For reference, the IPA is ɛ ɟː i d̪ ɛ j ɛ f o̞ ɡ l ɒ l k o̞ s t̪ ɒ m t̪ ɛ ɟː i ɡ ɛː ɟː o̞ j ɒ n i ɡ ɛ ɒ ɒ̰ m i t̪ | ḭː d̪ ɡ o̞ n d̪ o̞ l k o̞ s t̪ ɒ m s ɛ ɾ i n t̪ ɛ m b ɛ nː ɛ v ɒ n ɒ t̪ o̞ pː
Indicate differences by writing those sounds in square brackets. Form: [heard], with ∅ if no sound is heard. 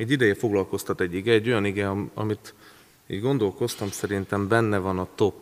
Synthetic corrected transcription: ɛ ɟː i d̪ ɛ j ɛ f o̞ ɡ l ɒ l k o̞ s t̪ ɒ [∅] t̪ ɛ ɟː i ɡ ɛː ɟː o̞ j ɒ n i ɡ ɛ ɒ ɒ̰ m i t̪ | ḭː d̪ ɡ o̞ n d̪ o̞ l k o̞ s t̪ ɒ m s ɛ ɾ i n t̪ ɛ m b ɛ nː ɛ v ɒ n ɒ t̪ o̞ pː